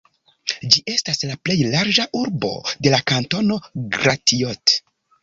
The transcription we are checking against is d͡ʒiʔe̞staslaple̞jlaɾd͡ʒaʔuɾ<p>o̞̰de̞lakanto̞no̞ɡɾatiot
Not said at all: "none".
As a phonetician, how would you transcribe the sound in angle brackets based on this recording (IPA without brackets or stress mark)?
b